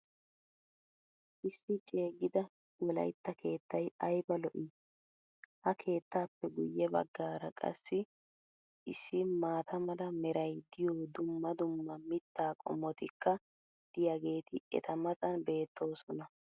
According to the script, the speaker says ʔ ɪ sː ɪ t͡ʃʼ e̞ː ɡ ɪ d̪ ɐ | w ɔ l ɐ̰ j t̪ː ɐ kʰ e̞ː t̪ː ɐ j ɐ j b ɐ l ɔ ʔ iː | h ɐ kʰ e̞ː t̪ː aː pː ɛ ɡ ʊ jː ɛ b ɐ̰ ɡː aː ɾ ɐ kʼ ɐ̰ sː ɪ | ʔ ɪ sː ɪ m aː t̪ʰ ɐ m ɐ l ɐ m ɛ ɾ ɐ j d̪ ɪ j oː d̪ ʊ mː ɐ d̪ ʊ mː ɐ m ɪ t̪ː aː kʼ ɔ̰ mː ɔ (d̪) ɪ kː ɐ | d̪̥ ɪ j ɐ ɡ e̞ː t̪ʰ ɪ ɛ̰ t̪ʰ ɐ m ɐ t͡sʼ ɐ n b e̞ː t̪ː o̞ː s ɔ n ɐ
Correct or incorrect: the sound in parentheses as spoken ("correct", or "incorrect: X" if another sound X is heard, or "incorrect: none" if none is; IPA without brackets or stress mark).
incorrect: t̪